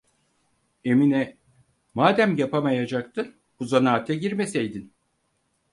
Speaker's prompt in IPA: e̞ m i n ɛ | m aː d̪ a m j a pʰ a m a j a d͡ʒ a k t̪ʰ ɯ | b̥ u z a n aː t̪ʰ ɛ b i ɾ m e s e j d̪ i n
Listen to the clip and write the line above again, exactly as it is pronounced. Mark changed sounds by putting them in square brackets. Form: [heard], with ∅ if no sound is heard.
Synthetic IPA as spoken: e̞ m i n ɛ | m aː d̪ [æ] m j a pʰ a m a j a d͡ʒ a k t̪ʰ ɯ | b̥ u z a n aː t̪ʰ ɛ [ɟ] i ɾ m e s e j d̪ i n